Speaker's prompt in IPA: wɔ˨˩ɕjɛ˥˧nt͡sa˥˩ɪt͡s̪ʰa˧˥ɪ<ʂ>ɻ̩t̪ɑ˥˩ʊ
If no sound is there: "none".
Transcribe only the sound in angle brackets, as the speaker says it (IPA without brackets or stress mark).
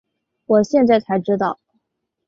ʈ͡ʂ